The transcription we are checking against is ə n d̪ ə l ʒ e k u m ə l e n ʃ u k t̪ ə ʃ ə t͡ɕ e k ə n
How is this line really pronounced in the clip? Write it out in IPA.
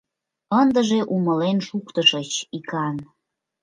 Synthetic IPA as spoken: ə n d̪ ə ʒ e ʔ u m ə l e n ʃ u k t̪ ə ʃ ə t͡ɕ i k ɑ n